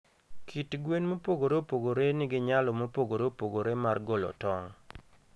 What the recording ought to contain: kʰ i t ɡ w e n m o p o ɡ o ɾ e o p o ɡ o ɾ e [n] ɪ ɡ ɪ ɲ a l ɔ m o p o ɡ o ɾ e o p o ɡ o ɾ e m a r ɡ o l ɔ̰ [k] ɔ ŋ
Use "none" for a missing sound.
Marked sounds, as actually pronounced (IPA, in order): n, t

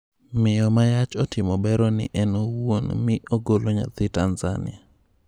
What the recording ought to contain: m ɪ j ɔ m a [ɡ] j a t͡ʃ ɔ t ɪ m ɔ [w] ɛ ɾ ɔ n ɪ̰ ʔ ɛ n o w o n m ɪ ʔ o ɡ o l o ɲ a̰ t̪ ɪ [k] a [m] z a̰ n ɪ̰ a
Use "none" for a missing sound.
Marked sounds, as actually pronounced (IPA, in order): none, b, t, n

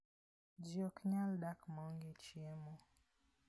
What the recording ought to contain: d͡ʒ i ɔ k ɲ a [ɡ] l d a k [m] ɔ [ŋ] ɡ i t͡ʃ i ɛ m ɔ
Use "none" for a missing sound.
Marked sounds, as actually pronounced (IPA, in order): none, m, ŋ

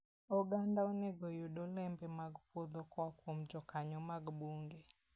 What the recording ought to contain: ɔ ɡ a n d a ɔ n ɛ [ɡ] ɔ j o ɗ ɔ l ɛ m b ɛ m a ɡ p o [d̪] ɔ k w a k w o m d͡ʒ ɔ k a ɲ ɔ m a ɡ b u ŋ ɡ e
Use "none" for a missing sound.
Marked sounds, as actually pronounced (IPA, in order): ɡ, d̪

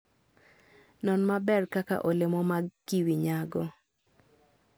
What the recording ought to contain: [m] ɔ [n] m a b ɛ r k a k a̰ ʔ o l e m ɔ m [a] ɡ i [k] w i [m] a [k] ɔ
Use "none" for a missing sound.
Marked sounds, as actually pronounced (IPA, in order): n, n, a, none, ɲ, ɡ

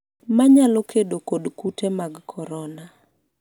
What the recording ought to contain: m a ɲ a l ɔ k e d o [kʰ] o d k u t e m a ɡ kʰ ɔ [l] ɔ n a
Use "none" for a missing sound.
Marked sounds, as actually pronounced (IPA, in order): k, ɾ

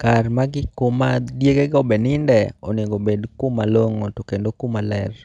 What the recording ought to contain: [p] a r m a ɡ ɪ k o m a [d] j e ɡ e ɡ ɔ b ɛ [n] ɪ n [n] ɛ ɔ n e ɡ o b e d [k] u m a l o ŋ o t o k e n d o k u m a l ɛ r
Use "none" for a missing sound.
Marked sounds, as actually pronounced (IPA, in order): k, d, n, d, k

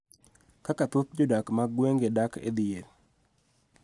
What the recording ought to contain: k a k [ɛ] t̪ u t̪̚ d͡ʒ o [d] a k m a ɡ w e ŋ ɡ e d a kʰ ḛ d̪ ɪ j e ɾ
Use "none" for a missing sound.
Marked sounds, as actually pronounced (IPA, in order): a, d

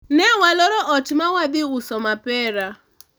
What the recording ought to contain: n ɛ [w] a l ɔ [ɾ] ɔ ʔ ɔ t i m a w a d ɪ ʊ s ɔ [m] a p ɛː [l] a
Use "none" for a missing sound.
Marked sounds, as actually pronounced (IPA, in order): w, ɾ, m, ɾ

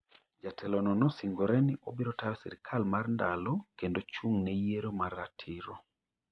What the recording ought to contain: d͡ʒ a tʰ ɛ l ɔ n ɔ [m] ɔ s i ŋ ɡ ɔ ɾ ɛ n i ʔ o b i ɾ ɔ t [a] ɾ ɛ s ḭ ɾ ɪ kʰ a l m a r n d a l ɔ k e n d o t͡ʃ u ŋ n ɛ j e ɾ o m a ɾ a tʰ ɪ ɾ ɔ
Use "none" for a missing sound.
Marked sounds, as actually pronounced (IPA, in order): n, a

